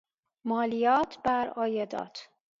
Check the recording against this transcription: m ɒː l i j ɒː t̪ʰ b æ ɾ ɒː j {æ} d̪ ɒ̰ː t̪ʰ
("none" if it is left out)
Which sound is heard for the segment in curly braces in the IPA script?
e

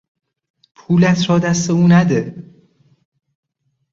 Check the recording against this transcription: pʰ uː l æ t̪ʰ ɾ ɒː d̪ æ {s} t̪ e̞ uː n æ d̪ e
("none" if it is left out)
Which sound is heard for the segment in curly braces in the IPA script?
s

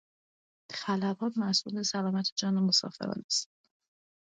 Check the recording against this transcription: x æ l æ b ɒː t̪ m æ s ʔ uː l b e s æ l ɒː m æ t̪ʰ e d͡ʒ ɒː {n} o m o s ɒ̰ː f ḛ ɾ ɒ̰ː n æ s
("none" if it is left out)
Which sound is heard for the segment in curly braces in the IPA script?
n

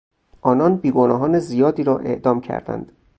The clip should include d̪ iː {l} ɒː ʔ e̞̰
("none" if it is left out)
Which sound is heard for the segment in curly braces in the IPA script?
ɾ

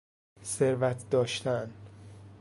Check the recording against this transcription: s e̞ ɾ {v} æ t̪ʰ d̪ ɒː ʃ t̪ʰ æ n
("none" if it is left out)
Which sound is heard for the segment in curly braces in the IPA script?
v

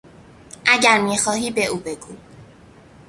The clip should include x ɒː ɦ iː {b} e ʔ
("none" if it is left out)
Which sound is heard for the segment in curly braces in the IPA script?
b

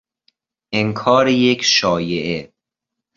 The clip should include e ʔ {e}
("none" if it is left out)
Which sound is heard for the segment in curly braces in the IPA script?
e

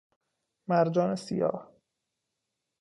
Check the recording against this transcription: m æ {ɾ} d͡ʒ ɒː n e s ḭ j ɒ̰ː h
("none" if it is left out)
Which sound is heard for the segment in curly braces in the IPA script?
ɾ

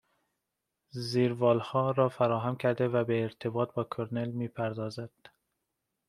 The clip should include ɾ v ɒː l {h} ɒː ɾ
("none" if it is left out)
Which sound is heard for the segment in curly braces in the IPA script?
h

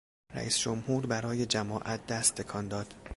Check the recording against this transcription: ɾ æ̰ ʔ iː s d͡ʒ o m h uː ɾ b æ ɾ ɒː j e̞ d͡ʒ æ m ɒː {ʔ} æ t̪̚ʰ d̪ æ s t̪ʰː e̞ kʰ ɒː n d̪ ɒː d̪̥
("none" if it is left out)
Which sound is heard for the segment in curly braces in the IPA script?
ʔ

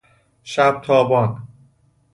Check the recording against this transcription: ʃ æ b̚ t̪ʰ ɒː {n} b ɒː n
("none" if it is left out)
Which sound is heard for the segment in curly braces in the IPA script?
none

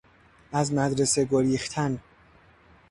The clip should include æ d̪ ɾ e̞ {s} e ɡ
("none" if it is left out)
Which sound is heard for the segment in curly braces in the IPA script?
s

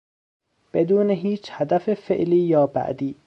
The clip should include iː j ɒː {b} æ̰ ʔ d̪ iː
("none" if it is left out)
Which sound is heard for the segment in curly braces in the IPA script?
b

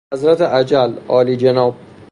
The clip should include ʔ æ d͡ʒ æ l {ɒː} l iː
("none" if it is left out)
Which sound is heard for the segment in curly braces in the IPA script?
ɒː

